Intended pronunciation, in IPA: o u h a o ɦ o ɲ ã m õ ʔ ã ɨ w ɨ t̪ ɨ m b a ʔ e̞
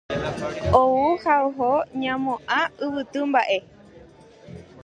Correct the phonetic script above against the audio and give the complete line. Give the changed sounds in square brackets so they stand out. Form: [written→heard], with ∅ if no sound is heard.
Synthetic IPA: o u h a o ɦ o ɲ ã m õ ʔ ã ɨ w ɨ t̪ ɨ m b a ʔ e̞